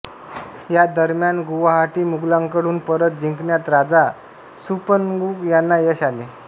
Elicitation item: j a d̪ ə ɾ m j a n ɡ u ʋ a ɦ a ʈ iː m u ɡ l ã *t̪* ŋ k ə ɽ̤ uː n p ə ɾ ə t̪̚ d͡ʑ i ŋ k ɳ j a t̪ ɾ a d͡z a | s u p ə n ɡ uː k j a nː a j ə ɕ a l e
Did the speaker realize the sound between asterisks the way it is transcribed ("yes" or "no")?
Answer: no